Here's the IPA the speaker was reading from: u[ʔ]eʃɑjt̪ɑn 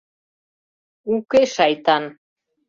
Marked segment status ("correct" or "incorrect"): incorrect